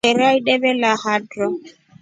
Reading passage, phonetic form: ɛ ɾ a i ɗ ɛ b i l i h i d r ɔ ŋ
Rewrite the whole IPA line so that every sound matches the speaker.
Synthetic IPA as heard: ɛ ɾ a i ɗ ɛ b ɛ l a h a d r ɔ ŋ